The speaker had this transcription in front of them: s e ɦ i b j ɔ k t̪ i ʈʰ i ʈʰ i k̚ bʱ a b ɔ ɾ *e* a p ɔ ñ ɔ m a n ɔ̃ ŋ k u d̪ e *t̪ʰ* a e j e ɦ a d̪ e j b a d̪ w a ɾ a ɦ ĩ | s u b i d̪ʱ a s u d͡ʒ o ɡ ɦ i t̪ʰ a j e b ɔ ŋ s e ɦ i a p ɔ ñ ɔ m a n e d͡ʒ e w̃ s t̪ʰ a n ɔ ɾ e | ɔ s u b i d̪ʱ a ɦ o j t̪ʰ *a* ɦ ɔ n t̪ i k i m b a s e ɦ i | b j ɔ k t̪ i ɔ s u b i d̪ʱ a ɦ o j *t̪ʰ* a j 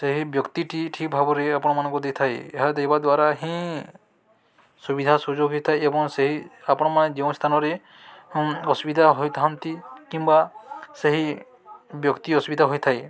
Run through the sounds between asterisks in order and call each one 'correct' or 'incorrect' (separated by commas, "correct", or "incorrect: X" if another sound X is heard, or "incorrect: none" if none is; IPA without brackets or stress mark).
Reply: correct, correct, correct, correct